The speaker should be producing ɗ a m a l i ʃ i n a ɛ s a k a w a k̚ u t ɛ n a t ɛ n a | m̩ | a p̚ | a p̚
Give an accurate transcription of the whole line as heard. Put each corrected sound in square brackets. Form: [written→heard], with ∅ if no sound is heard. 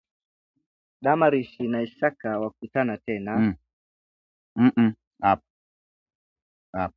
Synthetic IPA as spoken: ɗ a m a [l→ɾ] i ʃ i n a [ɛ→i] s a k a w a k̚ u t [ɛ→a] n a t ɛ n a | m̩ | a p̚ | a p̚